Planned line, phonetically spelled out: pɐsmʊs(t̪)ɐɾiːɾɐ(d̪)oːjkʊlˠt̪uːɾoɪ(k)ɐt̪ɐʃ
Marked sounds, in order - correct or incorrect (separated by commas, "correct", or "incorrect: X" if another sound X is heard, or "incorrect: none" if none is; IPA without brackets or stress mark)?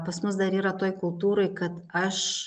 incorrect: d̪, incorrect: t̪, correct